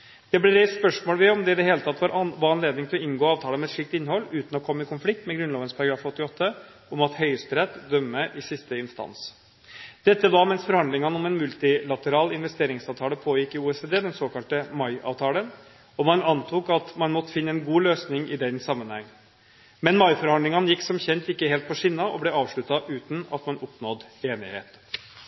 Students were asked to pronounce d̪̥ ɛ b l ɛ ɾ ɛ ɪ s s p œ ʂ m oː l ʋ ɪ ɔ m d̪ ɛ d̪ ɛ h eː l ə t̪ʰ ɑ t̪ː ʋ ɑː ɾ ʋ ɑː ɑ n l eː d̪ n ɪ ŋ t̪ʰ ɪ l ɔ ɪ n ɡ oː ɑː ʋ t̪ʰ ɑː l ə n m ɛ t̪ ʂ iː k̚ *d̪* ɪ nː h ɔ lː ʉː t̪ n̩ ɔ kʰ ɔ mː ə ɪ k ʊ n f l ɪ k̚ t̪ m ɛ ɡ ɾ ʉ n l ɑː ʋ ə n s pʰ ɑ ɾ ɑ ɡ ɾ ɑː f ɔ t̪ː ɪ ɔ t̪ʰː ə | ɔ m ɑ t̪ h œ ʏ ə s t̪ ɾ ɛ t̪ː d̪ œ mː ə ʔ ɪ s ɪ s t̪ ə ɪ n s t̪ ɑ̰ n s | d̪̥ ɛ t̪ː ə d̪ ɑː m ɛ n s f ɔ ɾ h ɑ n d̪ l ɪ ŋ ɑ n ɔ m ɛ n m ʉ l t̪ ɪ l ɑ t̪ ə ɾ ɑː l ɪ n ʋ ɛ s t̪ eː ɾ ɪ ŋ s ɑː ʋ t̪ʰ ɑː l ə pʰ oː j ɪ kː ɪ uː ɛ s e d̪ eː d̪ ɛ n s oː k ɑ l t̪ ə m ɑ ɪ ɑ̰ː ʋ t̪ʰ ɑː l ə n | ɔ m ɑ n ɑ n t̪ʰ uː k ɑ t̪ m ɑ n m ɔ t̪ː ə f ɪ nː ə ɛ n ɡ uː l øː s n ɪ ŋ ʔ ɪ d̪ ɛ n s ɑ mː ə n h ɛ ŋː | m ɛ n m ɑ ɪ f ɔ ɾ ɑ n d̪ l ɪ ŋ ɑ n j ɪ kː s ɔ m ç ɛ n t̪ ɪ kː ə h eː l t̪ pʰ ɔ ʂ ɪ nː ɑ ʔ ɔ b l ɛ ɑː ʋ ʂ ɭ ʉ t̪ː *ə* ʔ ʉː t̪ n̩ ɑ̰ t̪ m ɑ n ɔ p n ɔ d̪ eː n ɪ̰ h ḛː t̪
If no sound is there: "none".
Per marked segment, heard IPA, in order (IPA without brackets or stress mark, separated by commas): t̪, ɑ